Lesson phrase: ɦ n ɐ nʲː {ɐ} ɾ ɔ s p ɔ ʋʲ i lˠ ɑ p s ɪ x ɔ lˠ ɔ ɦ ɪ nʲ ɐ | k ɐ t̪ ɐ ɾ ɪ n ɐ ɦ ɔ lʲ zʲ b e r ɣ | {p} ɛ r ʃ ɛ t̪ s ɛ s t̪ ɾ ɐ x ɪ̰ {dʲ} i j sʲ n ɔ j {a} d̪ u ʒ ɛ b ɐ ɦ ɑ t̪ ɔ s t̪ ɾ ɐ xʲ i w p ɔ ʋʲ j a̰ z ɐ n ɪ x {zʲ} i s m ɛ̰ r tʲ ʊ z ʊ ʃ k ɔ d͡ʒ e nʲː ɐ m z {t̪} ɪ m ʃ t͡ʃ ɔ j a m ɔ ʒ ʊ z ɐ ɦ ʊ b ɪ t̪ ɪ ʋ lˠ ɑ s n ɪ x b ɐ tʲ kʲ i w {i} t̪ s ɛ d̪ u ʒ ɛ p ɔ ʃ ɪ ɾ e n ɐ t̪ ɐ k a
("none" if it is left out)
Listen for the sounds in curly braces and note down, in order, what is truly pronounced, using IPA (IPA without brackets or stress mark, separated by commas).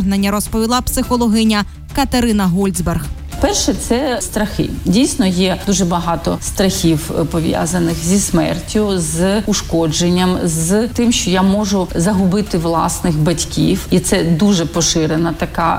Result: ɐ, p, dʲ, ɛ, zʲ, t̪, i